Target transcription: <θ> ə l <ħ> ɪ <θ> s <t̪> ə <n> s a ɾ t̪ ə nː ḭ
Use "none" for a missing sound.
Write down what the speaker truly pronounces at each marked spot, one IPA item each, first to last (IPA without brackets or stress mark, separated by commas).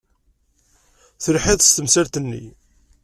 θ, ħ, ð, t̪, m